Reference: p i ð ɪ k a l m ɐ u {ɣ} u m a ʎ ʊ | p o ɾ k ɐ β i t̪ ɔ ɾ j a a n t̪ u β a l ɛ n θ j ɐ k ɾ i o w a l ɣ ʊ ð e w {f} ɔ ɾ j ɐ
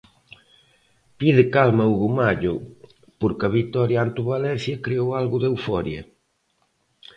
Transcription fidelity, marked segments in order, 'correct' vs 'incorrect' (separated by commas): correct, correct